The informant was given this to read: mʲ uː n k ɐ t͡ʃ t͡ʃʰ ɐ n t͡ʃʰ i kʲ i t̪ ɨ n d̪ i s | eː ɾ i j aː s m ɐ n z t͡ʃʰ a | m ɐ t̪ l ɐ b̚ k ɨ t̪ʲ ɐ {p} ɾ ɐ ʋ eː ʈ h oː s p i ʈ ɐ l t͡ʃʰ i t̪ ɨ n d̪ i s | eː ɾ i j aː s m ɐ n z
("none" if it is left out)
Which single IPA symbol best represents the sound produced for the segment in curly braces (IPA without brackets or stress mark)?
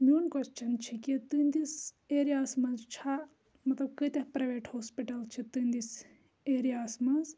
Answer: p